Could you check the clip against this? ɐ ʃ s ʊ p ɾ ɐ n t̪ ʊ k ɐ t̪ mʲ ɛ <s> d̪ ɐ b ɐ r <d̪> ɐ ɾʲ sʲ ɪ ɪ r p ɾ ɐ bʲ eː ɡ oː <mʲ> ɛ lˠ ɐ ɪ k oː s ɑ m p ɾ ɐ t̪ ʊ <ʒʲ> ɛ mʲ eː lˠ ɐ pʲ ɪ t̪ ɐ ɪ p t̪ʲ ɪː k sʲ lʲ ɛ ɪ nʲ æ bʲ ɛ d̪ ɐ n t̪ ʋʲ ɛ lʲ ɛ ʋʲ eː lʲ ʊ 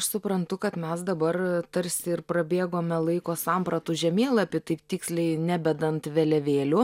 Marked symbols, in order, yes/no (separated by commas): yes, no, yes, yes